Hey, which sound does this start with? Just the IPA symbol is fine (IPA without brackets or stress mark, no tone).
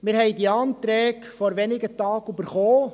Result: m